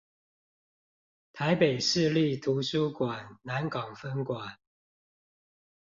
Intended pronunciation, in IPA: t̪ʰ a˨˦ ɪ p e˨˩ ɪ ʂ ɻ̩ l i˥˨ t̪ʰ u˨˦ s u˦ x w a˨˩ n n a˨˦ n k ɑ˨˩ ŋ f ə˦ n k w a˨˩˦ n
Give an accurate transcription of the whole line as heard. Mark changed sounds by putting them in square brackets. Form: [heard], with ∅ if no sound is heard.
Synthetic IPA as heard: t̪ʰ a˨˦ ɪ p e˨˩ ɪ ʂ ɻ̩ l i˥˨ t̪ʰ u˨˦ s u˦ [k] w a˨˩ n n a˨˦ n k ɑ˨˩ ŋ f ə˦ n k w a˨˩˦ n